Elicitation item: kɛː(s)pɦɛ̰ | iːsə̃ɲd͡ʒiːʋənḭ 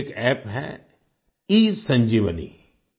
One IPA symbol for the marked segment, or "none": none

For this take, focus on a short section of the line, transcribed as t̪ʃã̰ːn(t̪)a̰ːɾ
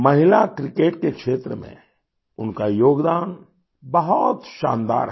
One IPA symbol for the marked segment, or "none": d̪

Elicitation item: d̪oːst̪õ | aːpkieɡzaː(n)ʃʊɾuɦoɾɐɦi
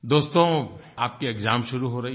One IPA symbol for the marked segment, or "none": m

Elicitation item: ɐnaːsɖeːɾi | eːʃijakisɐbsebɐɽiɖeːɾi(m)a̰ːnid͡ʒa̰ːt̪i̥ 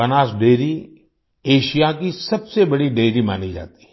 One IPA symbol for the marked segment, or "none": m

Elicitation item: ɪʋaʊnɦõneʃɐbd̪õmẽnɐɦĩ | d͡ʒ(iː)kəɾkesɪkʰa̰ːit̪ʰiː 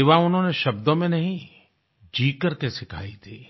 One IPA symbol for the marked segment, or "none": iː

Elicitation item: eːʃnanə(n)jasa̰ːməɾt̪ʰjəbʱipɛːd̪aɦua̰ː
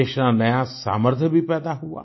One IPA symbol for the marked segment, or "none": none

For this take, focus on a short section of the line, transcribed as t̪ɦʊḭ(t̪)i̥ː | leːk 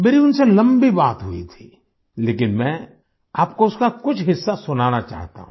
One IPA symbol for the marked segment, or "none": t̪ʰ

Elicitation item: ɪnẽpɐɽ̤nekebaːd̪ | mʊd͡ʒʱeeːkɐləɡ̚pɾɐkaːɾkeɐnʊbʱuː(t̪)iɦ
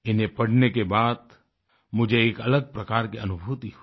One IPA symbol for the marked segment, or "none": t̪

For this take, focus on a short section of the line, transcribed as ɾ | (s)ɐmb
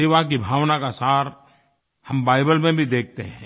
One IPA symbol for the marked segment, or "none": h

